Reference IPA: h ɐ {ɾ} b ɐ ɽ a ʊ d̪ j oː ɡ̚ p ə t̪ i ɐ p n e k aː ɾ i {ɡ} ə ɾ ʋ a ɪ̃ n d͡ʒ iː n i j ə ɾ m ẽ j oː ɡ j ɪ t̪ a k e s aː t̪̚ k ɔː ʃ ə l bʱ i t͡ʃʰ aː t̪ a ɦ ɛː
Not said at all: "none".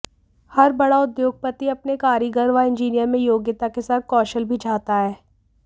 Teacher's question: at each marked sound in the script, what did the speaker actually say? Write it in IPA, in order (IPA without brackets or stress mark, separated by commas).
ɾ, ɡ